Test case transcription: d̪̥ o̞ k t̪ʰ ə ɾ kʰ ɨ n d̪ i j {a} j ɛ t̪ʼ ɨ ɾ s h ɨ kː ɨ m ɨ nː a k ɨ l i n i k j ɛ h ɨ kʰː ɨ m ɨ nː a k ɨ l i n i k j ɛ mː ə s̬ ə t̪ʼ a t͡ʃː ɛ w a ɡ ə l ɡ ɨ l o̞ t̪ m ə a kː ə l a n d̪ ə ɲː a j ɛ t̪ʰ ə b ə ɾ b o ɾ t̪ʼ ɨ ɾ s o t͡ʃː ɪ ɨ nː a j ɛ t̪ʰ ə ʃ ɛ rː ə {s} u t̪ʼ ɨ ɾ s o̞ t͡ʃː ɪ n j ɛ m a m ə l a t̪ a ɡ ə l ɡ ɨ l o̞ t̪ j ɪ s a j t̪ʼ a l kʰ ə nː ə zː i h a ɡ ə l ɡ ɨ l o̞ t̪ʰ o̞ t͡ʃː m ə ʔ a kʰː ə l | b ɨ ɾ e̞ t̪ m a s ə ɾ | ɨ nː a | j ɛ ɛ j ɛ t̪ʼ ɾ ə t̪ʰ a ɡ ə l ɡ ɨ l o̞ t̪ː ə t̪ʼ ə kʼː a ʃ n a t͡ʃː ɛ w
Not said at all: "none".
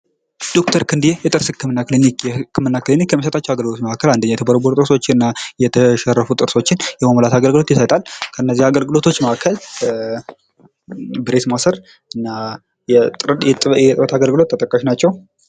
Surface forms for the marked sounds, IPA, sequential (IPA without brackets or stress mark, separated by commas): e, f